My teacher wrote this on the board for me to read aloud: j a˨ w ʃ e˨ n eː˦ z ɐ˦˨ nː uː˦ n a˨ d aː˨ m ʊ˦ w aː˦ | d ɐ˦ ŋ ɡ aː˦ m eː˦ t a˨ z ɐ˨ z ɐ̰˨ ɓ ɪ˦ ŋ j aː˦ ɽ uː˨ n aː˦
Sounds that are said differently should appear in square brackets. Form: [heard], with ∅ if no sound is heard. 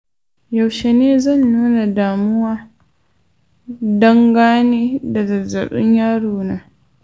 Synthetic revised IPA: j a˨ w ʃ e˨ n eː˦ z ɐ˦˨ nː uː˦ n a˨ d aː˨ m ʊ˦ w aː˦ | d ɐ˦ ŋ ɡ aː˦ [n] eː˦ [d] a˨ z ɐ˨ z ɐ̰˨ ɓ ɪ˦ [ɲ] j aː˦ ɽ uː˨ n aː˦

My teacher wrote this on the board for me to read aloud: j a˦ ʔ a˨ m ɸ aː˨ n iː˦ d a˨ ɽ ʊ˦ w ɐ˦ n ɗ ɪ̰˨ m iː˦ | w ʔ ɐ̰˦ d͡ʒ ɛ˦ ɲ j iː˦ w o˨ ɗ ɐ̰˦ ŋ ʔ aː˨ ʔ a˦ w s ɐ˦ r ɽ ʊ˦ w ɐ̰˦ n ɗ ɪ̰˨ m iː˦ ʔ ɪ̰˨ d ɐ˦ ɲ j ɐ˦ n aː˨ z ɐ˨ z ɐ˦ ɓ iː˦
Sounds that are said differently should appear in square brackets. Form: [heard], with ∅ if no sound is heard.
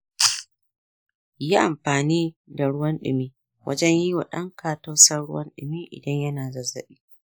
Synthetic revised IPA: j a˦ ʔ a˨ m ɸ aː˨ n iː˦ d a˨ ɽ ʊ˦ w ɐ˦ n ɗ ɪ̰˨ m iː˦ | w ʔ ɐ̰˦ d͡ʒ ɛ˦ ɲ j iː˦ w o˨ ɗ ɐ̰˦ ŋ [k] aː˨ [t] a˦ w s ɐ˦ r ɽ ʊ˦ w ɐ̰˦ n ɗ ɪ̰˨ m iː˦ ʔ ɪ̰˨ d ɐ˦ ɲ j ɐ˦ n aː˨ z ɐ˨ z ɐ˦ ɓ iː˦

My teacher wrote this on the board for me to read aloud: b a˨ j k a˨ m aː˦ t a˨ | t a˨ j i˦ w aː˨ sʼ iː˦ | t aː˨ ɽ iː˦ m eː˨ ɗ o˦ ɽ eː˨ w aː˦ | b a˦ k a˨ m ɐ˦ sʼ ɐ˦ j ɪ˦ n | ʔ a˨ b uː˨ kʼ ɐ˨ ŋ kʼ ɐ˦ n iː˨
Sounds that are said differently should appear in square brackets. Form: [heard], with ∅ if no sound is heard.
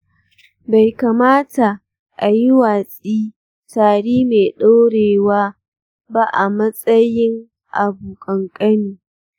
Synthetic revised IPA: b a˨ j k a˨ m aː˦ t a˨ | [ʔ] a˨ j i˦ w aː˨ sʼ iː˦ | t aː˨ ɽ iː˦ m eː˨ ɗ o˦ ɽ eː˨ w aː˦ | b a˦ [ʔ] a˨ m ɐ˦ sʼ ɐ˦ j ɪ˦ [ŋ] | ʔ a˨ b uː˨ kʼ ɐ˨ ŋ kʼ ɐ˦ n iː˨

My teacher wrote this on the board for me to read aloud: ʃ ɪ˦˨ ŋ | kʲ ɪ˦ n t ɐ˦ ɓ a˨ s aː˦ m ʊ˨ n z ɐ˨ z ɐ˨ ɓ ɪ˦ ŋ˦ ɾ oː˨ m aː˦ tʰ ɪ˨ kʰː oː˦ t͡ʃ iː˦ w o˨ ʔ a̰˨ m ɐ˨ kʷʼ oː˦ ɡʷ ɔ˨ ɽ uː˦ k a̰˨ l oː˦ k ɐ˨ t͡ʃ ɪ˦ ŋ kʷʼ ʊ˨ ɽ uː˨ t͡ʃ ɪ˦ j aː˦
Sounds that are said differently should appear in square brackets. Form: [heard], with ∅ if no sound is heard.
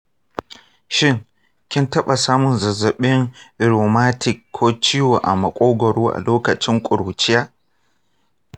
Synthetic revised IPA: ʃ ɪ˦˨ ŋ | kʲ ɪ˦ n t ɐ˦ ɓ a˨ s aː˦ m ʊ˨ n z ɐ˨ z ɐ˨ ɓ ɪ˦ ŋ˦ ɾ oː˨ m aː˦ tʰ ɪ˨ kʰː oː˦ t͡ʃ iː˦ w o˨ ʔ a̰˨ m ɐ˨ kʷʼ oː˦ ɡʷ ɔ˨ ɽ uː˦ [ʔ] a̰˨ l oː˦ k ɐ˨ t͡ʃ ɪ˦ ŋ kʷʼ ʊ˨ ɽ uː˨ t͡ʃ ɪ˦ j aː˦

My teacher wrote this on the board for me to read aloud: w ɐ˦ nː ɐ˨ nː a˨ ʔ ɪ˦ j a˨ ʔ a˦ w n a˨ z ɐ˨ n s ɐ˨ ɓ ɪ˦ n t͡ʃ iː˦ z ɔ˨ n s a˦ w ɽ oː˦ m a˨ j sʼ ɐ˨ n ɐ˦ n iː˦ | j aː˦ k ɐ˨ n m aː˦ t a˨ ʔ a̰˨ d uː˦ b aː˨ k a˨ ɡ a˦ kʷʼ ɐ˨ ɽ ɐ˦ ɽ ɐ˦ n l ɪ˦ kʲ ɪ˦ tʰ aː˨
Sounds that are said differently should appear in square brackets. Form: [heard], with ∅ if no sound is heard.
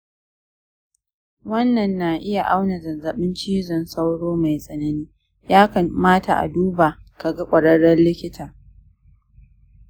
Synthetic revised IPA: w ɐ˦ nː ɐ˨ nː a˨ ʔ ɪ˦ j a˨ ʔ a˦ w n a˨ z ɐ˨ n [z] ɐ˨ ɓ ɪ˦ n t͡ʃ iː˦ z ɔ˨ n s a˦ w ɽ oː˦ m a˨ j sʼ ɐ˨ n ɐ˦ n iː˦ | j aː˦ k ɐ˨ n m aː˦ t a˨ ʔ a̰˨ d uː˦ b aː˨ k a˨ ɡ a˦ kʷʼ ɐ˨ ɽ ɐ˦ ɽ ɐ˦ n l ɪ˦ kʲ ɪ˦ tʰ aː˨

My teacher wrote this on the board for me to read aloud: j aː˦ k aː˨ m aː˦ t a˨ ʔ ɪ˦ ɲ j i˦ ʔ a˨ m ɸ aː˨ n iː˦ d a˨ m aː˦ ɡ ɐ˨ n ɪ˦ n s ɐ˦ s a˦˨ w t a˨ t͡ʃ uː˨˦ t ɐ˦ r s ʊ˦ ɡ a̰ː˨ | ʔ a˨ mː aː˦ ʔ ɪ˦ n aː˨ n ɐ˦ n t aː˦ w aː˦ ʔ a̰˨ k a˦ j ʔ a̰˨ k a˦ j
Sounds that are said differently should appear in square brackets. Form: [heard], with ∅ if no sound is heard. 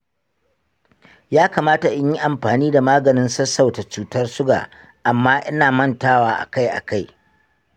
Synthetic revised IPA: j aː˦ k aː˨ m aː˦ t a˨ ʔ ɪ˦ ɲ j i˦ ʔ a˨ m ɸ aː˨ n iː˦ d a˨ m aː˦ ɡ ɐ˨ n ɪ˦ n s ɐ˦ s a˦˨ w t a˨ t͡ʃ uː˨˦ t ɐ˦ r s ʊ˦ ɡ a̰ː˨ | ʔ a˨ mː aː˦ ʔ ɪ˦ n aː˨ [m] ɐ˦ n t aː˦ w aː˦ ʔ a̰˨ k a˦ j ʔ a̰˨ k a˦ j

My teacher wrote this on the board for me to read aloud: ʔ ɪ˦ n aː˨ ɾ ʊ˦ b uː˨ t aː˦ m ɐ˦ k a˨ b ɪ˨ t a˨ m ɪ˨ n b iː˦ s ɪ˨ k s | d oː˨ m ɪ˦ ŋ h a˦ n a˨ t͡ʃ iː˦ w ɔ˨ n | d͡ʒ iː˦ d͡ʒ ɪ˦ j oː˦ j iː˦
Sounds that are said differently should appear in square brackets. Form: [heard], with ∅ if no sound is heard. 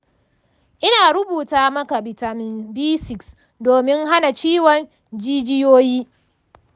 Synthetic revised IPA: ʔ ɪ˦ n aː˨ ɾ ʊ˦ b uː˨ t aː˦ m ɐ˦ k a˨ b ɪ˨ t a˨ m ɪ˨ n b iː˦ s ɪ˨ k s | d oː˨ m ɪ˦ ŋ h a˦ n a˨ t͡ʃ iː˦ w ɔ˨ n | d͡ʒ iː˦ d͡ʒ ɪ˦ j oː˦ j iː˦

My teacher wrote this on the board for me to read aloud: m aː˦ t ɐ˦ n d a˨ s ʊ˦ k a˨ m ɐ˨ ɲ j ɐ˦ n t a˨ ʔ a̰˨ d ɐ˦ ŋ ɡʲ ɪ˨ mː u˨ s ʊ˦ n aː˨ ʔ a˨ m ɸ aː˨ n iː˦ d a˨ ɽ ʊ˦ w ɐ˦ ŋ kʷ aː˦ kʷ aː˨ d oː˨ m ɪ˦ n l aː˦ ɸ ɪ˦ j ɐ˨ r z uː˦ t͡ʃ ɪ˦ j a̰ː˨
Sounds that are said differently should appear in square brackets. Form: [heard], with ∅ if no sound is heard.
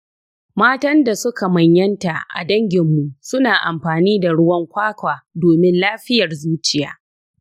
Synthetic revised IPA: m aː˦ t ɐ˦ n d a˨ s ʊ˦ k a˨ m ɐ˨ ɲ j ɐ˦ n t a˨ ʔ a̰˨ d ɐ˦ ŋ ɡʲ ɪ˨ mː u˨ s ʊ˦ n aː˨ ʔ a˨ m ɸ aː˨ n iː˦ d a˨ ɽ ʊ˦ w ɐ˦ ŋ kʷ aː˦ kʷ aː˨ d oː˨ m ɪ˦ n l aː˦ ɸ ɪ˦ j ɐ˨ r z uː˦ t͡ʃ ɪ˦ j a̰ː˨

